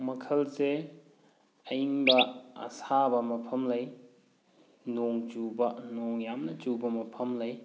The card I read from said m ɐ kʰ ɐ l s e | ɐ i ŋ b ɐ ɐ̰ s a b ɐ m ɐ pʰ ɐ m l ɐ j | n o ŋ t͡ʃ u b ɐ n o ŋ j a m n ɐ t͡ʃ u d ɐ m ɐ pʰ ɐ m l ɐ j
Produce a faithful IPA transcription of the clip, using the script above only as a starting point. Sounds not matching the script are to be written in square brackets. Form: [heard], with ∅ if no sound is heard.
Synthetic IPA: m ɐ kʰ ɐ l s e | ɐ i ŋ b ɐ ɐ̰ s a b ɐ m ɐ pʰ ɐ m l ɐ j | n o ŋ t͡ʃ u b ɐ n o ŋ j a m n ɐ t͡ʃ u [b] ɐ m ɐ pʰ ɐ m l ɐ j